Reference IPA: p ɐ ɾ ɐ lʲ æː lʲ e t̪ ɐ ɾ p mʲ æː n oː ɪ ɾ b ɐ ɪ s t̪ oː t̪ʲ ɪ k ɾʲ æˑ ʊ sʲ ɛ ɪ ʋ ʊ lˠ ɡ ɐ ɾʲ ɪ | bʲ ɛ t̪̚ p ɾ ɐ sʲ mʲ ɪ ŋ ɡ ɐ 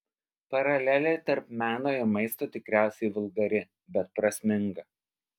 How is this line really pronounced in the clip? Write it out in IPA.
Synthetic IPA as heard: p ɐ ɾ ɐ lʲ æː lʲ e t̪ ɐ ɾ p mʲ æː n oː ɪ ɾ m ɐ ɪ s t̪ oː t̪ʲ ɪ k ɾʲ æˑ ʊ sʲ ɛ ɪ ʋ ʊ lˠ ɡ ɐ ɾʲ ɪ | bʲ ɛ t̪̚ p ɾ ɐ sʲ mʲ ɪ ŋ ɡ ɐ